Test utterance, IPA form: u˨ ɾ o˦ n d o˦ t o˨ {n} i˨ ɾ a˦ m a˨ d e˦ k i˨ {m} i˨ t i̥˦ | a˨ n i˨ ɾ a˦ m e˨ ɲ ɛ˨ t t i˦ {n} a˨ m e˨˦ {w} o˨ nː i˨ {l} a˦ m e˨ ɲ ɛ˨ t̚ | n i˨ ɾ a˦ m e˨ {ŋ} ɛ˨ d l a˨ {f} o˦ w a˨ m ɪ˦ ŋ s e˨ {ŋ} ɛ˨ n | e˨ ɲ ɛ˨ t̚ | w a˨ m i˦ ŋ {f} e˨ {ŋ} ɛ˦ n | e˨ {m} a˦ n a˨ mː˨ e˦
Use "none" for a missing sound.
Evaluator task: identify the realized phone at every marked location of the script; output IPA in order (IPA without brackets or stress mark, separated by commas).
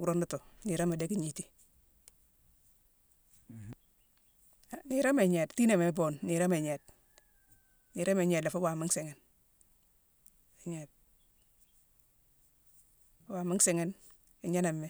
n, ɲ, n, b, ɾ, ɲ, f, ŋ, s, ŋ, ɲ